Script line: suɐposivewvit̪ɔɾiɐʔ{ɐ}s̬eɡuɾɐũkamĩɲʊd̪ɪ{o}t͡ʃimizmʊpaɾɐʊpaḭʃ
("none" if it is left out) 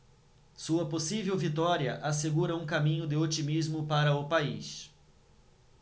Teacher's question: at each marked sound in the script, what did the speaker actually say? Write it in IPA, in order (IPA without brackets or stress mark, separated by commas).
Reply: a, o